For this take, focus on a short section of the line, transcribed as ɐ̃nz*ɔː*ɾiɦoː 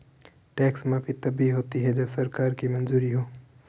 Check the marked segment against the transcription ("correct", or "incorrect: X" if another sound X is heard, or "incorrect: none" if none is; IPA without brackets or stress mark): incorrect: uː